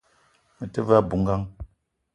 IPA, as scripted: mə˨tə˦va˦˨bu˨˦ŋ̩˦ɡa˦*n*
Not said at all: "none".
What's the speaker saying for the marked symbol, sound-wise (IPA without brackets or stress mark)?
ŋ